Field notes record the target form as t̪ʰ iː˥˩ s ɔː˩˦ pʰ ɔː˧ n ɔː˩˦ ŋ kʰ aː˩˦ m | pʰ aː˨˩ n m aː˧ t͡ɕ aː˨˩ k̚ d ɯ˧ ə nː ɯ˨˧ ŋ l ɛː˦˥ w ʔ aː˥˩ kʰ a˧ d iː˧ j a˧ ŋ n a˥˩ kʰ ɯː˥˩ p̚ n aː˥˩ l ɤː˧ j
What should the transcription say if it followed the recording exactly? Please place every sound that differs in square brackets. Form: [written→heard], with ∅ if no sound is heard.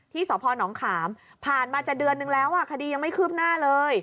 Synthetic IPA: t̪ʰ iː˥˩ s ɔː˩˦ pʰ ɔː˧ n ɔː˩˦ ŋ kʰ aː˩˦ m | pʰ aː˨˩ n m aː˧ t͡ɕ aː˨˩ k̚ d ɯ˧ ə nː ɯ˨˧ ŋ l ɛː˦˥ w ʔ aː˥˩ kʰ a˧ d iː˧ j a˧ ŋ [n→m] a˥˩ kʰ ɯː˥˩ p̚ n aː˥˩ l ɤː˧ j